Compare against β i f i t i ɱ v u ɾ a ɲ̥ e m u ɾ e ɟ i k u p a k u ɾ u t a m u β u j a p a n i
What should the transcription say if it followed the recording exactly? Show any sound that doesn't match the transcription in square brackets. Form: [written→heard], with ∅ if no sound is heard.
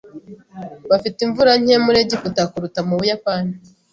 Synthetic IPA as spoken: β [i→a] f i t i ɱ v u ɾ a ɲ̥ e m u ɾ e ɟ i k u [p→t] a k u ɾ u t a m u β u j a p a n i

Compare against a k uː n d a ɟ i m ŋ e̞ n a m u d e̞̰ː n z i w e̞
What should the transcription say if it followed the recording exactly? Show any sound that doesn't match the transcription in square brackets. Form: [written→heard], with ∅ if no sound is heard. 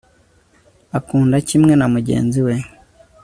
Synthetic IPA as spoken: a k uː n d a [ɟ→c] i m ŋ e̞ n a m u [d→ɟ] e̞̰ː n z i w e̞

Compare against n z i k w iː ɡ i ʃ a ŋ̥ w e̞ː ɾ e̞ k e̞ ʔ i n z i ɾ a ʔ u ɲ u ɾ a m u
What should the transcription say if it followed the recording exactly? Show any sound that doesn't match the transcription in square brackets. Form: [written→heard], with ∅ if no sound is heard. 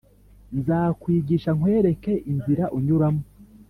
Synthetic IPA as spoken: n z [i→a] k w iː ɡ i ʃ a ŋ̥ w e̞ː ɾ e̞ k e̞ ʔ i n z i ɾ a ʔ u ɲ u ɾ a m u

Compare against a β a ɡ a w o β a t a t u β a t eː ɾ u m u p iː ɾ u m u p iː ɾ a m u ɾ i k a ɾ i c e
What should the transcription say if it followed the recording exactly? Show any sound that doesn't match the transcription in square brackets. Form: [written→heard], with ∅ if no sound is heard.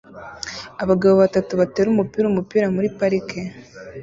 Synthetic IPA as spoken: a β a ɡ a [w→β] o β a t a t u β a t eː ɾ u m u p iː ɾ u m u p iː ɾ a m u ɾ i [k→p] a ɾ i [c→k] e

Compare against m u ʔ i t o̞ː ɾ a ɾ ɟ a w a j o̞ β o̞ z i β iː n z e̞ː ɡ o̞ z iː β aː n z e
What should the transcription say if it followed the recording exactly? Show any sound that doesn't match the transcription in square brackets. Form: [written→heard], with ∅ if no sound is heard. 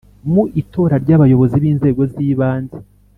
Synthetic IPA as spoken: m u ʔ i t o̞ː ɾ a ɾ ɟ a [w→β] a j o̞ β o̞ z i β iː n z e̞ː ɡ o̞ z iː β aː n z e

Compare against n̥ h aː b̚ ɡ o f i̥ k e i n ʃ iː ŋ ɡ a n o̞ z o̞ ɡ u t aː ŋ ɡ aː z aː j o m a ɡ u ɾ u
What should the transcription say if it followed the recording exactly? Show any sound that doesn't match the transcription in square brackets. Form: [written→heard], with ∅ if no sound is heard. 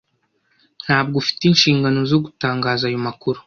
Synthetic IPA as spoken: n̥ h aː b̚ ɡ o f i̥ [k→t] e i n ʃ iː ŋ ɡ a n o̞ z o̞ ɡ u t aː ŋ ɡ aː z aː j o m a [ɡ→k] u ɾ u

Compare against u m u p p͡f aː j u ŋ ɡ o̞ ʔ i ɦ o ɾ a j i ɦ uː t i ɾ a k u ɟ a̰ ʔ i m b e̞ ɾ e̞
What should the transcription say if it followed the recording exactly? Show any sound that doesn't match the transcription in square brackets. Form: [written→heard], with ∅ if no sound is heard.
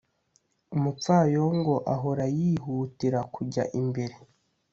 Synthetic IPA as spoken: u m u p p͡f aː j [u→o] ŋ ɡ o̞ ʔ [i→a] ɦ o ɾ a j i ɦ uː t i ɾ a k u ɟ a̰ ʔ i m b e̞ ɾ e̞

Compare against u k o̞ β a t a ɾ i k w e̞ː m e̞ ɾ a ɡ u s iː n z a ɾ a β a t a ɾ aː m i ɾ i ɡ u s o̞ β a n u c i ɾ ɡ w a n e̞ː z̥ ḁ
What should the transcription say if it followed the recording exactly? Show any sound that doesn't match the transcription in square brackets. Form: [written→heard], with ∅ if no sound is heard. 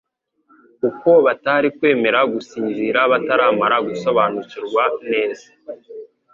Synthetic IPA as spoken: u k o̞ β a t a ɾ i k w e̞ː m e̞ ɾ a ɡ u s iː n z [a→i] ɾ a β a t a ɾ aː m [i→a] ɾ [i→a] ɡ u s o̞ β a n u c i ɾ ɡ w a n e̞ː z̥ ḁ

